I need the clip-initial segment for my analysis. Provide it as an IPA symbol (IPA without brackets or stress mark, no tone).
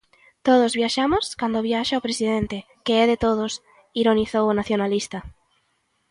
t̪